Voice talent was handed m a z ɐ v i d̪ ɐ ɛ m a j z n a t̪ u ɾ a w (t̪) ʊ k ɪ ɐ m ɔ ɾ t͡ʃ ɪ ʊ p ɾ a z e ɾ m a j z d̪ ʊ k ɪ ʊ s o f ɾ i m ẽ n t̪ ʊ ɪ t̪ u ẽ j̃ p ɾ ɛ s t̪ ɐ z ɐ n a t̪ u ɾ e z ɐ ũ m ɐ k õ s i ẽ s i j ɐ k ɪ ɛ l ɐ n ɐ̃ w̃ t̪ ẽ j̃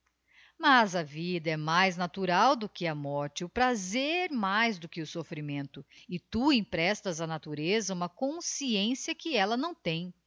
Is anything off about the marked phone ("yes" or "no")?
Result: yes